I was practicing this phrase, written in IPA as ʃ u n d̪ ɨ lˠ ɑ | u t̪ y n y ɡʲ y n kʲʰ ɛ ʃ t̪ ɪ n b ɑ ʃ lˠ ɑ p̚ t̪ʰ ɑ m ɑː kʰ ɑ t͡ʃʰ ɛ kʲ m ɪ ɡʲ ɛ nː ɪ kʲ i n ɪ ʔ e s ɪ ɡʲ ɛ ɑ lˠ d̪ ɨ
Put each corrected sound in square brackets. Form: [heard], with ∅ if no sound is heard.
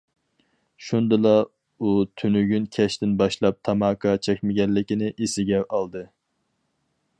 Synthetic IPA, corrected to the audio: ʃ u n d̪ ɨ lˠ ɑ | u [t̪ʰ] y n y ɡʲ y n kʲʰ ɛ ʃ t̪ ɪ n b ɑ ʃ lˠ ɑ p̚ t̪ʰ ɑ m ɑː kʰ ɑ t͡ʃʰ ɛ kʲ m ɪ ɡʲ ɛ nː ɪ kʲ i n ɪ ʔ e s ɪ ɡʲ ɛ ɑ lˠ d̪ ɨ